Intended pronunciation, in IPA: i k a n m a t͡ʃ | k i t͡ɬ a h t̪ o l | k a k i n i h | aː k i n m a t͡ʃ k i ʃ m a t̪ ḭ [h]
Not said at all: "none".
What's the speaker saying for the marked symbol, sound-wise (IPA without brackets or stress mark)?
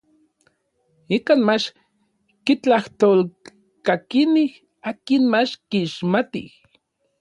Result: h